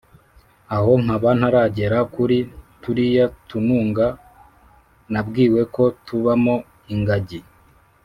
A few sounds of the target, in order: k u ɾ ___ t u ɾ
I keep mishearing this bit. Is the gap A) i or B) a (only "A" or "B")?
A